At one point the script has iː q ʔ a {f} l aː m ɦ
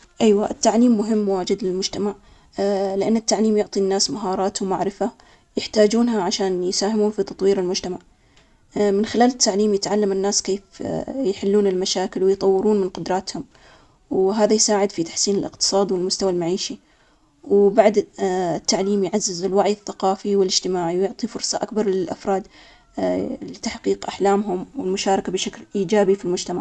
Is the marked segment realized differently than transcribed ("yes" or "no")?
yes